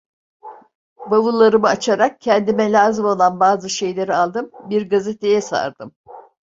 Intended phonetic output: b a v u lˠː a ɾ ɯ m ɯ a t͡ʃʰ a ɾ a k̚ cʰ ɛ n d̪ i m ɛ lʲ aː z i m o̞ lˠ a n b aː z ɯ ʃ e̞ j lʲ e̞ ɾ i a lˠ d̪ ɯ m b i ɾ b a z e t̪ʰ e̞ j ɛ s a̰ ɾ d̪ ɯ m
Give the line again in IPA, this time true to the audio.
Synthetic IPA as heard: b a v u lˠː a ɾ ɯ m ɯ a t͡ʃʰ a ɾ a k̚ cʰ ɛ n d̪ i m ɛ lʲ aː z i m o̞ lˠ a n b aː z ɯ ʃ e̞ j lʲ e̞ ɾ i a lˠ d̪ ɯ m b i ɾ ɡ a z e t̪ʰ e̞ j ɛ s a̰ ɾ d̪ ɯ m